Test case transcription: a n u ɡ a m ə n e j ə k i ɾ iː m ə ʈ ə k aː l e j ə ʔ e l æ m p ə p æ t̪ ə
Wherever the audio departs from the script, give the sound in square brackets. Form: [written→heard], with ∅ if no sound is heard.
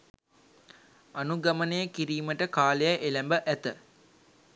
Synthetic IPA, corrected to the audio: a n u ɡ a m ə n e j ə k i ɾ iː m ə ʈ ə k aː l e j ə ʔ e l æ m [p→b] ə [p→ʔ] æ t̪ ə